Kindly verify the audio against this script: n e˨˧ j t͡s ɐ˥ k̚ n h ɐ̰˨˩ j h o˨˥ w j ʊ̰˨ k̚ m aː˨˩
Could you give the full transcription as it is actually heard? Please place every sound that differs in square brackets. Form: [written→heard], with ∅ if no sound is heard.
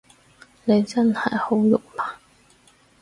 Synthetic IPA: n e˨˧ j t͡s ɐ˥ [k̚→∅] n h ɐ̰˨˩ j h o˨˥ w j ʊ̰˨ k̚ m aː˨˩